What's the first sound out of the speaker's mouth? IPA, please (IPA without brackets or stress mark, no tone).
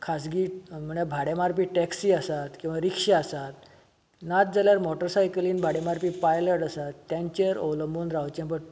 kʰ